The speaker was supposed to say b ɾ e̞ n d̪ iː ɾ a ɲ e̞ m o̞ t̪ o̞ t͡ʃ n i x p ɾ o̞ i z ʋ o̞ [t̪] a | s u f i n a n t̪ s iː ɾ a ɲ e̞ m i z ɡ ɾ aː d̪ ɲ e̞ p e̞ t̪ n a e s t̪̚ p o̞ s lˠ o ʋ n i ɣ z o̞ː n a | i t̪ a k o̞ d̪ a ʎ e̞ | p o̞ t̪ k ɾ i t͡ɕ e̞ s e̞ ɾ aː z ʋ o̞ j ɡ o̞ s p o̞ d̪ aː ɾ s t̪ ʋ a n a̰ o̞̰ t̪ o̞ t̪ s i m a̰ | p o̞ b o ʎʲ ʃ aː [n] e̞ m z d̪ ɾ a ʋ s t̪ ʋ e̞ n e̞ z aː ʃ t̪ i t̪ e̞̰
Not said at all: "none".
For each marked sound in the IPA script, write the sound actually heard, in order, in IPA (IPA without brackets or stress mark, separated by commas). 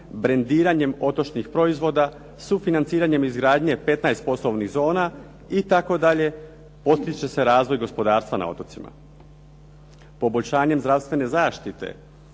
d̪, ɲ